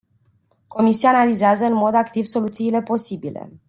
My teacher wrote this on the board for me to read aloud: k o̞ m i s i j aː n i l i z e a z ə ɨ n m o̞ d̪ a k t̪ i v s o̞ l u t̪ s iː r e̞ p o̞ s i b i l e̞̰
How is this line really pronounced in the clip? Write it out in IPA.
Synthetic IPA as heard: k o̞ m i s i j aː n a l i z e a z ə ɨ n m o̞ d̪ a k t̪ i v s o̞ l u t̪ s iː l e̞ p o̞ s i b i l e̞̰